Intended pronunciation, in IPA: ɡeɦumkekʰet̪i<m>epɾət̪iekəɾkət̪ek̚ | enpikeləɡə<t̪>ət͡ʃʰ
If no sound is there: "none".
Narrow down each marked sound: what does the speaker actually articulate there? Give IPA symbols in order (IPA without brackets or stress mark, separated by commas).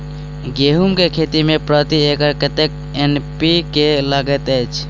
m, t̪